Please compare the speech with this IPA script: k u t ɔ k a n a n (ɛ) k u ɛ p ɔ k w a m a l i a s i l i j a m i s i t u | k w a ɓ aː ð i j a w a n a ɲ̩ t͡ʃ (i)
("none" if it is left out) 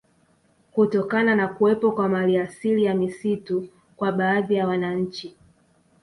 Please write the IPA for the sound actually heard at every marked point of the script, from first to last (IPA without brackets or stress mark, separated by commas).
a, i